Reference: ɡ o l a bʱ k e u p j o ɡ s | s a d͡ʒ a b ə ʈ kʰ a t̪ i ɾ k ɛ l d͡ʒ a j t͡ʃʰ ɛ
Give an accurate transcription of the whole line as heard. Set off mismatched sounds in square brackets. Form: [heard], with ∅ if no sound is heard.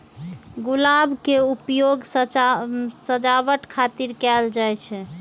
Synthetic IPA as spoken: ɡ [u] l a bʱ k e u p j o ɡ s | s [ə] d͡ʒ a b ə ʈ kʰ a t̪ i ɾ k ɛ l d͡ʒ a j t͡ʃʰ ɛ

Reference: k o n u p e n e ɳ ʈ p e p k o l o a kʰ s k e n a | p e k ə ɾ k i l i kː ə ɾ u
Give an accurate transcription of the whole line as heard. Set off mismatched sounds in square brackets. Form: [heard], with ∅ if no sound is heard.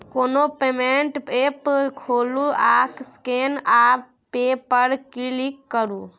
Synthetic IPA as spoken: k o n [o] p e [m] e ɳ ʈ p e p [kʰ] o l [u] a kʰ s k e n a | p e [p] ə ɾ k i l i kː ə ɾ u

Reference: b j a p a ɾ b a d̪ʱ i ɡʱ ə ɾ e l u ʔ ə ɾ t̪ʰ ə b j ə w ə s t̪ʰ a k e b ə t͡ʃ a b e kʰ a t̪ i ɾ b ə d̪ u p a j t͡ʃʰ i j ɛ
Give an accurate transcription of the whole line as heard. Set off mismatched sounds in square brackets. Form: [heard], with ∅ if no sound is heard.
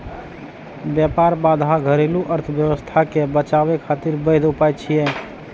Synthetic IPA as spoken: b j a p a ɾ b a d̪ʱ [a] ɡʱ ə ɾ e l u ʔ ə ɾ t̪ʰ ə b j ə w ə s t̪ʰ a k e b ə t͡ʃ a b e kʰ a t̪ i ɾ b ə d̪ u p a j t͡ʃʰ i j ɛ

